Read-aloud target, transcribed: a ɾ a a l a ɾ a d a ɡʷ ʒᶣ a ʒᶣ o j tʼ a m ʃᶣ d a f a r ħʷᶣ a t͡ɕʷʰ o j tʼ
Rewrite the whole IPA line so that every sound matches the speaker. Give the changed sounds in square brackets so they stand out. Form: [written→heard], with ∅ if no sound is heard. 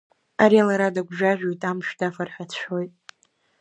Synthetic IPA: a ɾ [a→i] a l a ɾ a d a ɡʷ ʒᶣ a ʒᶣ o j tʼ a m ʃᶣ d a f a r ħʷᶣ a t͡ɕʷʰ o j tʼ

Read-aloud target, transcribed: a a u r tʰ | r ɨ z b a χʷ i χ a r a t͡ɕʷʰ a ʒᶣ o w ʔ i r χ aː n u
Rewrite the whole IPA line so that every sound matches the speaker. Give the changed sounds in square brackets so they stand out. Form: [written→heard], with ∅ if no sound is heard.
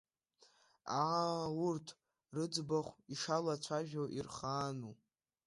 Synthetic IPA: a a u r tʰ | r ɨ [z→d͡z] b a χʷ i [χ→ʂ] a [r→l] a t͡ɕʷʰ a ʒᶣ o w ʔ i r χ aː n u

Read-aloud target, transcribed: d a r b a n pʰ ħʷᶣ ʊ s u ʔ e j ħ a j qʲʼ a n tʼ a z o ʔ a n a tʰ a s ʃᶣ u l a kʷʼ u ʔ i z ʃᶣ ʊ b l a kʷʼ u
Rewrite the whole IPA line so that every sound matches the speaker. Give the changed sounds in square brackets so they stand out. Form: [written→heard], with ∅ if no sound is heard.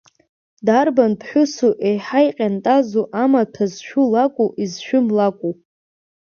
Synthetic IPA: d a r b a n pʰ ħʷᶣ ʊ s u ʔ e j ħ a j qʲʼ a n tʼ a z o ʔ a [n→m] a tʰ a [s→z] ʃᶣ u l a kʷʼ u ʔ i z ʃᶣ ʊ [b→m] l a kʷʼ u

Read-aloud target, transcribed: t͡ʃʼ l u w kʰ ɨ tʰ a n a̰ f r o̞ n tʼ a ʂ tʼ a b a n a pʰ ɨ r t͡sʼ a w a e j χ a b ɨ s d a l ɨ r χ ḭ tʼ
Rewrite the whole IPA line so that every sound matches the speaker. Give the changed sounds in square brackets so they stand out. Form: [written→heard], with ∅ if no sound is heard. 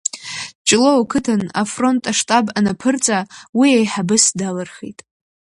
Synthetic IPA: t͡ʃʼ l [u→o] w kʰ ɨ tʰ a n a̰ f r o̞ n tʼ a ʂ tʼ a b a n a pʰ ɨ r t͡sʼ a w [a→i] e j [χ→ħ] a b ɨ s d a l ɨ r χ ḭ tʼ

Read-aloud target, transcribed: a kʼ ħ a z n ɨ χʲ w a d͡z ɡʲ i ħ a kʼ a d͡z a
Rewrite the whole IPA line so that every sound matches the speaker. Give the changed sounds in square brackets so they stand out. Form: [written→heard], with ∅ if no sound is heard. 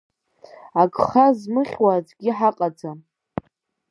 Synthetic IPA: a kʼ [ħ→χ] a z [n→m] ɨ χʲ w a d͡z ɡʲ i ħ a [kʼ→qʼ] a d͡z a

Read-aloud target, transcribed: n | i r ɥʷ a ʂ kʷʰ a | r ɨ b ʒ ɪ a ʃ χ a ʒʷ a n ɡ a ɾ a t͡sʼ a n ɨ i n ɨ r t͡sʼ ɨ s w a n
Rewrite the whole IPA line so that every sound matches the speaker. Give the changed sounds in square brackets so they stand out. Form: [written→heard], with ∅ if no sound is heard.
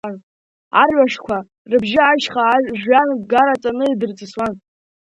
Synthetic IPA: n | [i→a] r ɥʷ a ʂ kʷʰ a | r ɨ b ʒ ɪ a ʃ χ a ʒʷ a n ɡ a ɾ a t͡sʼ a n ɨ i [n→d] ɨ r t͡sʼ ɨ s w a n

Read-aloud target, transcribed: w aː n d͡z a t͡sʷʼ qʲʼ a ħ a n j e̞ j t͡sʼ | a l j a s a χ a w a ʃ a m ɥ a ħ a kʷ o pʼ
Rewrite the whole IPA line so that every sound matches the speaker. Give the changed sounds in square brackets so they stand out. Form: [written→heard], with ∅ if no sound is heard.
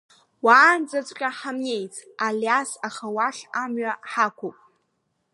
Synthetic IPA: w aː n d͡z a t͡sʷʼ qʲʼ a ħ a [n→m] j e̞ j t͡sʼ | a l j a s a χ a w a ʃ a m ɥ a ħ a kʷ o pʼ

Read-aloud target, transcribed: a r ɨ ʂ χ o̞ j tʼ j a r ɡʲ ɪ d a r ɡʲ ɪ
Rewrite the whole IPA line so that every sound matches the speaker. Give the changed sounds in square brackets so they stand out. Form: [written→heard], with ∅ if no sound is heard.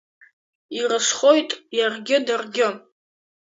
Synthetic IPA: [a→i] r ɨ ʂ χ o̞ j tʼ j a r ɡʲ ɪ d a r ɡʲ ɪ

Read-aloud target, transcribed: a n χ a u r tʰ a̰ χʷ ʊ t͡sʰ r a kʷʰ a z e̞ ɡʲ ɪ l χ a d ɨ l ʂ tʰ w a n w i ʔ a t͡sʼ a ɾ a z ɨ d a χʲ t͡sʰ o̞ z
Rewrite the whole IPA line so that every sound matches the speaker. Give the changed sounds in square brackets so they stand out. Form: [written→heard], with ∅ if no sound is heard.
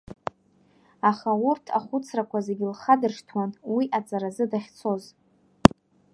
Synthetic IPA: a [n→∅] χ a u r tʰ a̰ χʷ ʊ t͡sʰ r a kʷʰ a z e̞ ɡʲ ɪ l χ a d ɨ [l→r] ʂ tʰ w a n w i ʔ a t͡sʼ a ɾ a z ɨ d a χʲ t͡sʰ o̞ z

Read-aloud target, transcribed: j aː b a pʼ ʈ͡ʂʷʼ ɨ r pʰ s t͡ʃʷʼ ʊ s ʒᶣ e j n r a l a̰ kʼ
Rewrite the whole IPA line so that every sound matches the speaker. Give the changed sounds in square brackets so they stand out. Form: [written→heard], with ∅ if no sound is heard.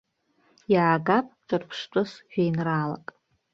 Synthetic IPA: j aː [b→ɡ] a pʼ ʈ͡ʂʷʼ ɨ r pʰ [s→ʂ] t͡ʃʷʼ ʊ s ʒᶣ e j n r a l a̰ kʼ

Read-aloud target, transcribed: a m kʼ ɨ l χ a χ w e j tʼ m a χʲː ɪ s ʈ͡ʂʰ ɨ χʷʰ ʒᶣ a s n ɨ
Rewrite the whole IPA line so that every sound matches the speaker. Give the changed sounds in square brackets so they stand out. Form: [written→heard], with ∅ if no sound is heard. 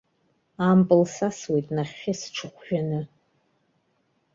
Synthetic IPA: a m [kʼ→pʼ] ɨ l [χ→s] a [χ→s] w e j tʼ [m→n] a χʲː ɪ s ʈ͡ʂʰ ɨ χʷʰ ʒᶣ a [s→∅] n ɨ

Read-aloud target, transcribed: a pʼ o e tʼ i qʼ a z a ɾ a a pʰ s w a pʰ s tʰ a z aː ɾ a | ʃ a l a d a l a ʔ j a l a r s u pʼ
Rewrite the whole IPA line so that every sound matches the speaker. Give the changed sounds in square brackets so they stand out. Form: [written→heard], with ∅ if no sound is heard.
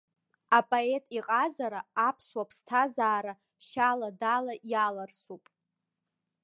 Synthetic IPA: a pʼ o e tʼ i qʼ a z a ɾ a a pʰ s w a pʰ s tʰ a z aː ɾ a | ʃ a l a d a l a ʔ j a l a r s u pʼ

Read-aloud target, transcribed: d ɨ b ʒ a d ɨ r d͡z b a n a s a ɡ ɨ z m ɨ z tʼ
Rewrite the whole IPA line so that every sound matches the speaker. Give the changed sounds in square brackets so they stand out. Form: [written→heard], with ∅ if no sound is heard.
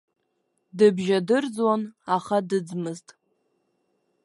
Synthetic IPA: d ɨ b ʒ a d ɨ r d͡z [b→w] a n a [s→χ] a [ɡ→d] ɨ [z→d͡z] m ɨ z tʼ

